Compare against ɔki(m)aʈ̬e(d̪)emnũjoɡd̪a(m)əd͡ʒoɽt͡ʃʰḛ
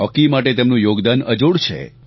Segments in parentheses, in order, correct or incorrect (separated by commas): correct, incorrect, incorrect